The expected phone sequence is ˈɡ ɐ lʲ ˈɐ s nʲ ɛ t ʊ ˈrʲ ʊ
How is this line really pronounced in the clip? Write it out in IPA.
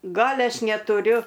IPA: ˈɡ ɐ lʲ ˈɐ ʃ nʲ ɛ t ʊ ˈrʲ ʊ